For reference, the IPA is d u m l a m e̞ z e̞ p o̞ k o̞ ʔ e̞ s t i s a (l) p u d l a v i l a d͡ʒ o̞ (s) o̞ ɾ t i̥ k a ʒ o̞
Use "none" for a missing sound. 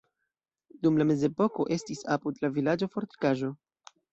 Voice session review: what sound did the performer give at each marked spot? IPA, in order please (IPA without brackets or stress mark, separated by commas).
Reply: none, f